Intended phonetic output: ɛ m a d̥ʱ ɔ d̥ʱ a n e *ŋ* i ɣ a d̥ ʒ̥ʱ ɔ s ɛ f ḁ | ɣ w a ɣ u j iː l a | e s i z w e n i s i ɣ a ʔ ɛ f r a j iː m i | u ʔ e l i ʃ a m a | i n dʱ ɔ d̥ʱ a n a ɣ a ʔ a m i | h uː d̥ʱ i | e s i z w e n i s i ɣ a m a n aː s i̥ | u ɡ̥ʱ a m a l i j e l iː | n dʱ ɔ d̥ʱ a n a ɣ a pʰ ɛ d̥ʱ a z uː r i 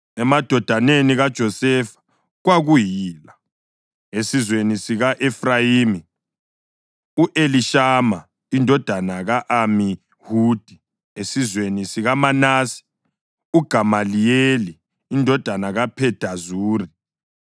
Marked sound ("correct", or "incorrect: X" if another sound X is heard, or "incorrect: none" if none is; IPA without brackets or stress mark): incorrect: n